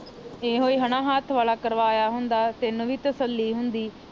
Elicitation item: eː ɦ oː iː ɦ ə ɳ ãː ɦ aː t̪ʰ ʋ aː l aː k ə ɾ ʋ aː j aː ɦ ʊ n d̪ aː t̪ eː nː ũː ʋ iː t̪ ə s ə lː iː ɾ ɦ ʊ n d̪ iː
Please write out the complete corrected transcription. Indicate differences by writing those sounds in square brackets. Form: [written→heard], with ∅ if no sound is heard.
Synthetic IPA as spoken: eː ɦ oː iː ɦ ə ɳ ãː ɦ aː t̪ʰ ʋ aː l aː k ə ɾ ʋ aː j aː ɦ ʊ n d̪ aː t̪ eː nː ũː ʋ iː t̪ ə s ə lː iː [ɾ→∅] ɦ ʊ n d̪ iː

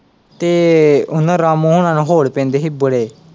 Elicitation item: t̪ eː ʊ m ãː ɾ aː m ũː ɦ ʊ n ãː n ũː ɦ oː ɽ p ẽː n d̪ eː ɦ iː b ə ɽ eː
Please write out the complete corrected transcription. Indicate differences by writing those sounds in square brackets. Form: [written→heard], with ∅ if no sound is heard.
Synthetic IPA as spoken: t̪ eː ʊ [m→n] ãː ɾ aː m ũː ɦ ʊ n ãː n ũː ɦ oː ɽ p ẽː n d̪ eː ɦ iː b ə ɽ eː

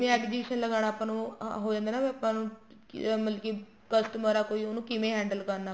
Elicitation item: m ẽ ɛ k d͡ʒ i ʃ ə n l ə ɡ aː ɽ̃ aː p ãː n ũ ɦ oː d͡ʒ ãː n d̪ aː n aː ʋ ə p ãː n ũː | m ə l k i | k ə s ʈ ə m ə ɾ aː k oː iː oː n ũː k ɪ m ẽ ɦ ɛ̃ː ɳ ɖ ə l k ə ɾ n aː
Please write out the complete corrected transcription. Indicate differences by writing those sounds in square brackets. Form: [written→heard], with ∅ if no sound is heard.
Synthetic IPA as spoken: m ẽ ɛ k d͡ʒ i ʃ ə n l ə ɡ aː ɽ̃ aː p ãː n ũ ɦ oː d͡ʒ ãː n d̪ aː n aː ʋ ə p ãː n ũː | m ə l k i | k ə s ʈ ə m ə ɾ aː k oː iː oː n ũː k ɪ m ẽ ɦ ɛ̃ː ɳ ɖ ə l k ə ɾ n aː

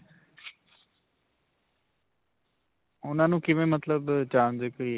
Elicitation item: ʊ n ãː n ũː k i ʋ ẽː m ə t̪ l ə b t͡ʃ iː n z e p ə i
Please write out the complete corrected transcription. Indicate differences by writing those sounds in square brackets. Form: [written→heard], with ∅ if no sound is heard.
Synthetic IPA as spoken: ʊ n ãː n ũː k [i→ɪ] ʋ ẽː m ə t̪ l ə b t͡ʃ [iː→aː] n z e [p→k] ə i

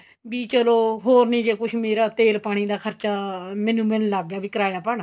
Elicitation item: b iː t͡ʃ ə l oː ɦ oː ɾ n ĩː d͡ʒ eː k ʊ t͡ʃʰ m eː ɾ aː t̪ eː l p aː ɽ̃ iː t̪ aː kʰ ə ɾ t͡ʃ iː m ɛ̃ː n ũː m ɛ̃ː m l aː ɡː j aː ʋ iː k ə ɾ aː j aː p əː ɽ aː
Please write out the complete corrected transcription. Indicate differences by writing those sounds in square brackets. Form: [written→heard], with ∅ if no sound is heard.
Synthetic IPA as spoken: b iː t͡ʃ ə l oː ɦ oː ɾ n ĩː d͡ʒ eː k ʊ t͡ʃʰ m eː ɾ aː t̪ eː l p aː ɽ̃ iː [t̪→d̪] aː kʰ ə ɾ t͡ʃ [iː→aː] m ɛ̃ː n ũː m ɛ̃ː [m→n] l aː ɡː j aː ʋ iː k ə ɾ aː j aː p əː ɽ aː

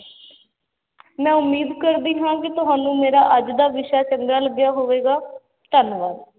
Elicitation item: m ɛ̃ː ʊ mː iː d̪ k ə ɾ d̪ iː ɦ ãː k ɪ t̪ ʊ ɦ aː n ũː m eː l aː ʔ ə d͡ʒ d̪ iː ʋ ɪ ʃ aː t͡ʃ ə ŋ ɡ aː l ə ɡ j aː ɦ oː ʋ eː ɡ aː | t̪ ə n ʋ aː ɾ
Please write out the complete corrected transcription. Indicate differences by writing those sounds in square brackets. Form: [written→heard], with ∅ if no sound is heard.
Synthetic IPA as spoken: m ɛ̃ː ʊ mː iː d̪ k ə ɾ d̪ iː ɦ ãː k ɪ t̪ ʊ ɦ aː n ũː m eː [l→ɾ] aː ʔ ə d͡ʒ d̪ [iː→aː] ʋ ɪ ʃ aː t͡ʃ ə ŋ ɡ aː l ə ɡ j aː ɦ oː ʋ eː ɡ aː | t̪ ə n ʋ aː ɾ

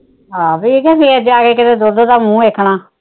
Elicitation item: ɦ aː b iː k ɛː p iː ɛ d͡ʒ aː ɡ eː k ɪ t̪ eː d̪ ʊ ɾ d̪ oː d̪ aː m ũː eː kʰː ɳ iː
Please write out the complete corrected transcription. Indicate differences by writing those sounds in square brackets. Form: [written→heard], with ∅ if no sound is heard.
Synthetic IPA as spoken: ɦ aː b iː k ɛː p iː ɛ d͡ʒ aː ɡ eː k ɪ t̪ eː d̪ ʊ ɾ d̪ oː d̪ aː m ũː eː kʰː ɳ [iː→aː]

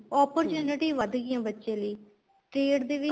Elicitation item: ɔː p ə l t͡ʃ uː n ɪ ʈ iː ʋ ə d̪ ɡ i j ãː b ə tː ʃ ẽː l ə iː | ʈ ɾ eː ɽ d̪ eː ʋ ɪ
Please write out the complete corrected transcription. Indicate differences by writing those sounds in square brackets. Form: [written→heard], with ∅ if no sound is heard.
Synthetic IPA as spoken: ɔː p ə [l→ɾ] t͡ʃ uː n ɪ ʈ iː ʋ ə d̪ ɡ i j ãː b ə tː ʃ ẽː l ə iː | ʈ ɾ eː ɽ d̪ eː ʋ ɪ

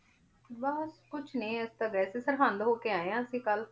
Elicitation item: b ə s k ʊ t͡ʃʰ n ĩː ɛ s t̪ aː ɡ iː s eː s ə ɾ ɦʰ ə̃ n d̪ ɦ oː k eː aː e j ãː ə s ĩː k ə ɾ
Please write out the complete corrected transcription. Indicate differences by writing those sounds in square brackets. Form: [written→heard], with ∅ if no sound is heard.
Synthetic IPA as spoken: b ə s k ʊ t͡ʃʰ n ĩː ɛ s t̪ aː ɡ [iː→ɛː] s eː s ə ɾ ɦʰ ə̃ n d̪ ɦ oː k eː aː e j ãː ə s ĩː k ə [ɾ→l]

